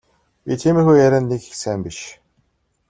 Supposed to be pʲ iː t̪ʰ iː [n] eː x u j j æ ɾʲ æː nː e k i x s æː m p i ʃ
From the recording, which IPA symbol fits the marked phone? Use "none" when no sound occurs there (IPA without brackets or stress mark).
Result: m